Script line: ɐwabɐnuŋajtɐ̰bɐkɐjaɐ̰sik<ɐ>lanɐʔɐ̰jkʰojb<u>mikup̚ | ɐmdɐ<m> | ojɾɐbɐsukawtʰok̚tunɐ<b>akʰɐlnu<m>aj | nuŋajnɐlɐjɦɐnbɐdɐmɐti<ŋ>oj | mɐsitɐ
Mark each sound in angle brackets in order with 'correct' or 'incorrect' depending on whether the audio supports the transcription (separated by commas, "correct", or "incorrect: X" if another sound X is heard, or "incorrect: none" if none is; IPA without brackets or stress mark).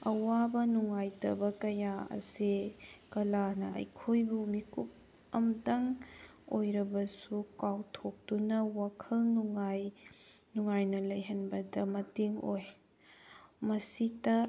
correct, correct, incorrect: ŋ, incorrect: w, incorrect: ŋ, correct